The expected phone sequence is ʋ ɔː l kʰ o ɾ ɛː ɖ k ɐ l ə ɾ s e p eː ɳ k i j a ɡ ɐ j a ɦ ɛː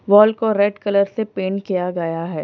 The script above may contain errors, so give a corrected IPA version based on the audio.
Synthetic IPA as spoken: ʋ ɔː l k o ɾ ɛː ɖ k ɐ l ə ɾ s e p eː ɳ k i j a ɡ ɐ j a ɦ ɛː